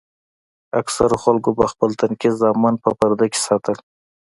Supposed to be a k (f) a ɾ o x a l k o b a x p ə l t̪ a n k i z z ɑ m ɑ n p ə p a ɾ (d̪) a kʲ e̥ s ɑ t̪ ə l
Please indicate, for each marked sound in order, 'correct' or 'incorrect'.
incorrect, correct

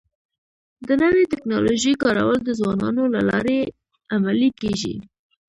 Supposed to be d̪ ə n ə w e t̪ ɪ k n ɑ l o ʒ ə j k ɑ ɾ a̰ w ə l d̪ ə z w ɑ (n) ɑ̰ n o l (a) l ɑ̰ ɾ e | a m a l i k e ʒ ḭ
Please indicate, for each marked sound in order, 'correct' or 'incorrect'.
correct, correct

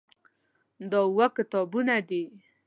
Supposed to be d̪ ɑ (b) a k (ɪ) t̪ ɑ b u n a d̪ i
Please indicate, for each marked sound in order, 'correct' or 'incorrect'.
incorrect, correct

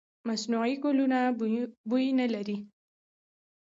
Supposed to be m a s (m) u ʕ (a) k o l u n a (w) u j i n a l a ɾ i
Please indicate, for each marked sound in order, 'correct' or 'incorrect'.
incorrect, incorrect, incorrect

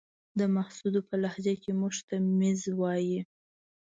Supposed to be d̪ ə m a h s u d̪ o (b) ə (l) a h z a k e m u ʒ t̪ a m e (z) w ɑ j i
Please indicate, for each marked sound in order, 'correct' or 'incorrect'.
incorrect, correct, correct

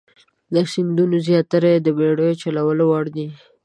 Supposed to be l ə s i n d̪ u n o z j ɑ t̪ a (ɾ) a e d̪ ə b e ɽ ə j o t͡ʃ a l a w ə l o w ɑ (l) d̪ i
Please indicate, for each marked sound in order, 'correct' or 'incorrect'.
correct, incorrect

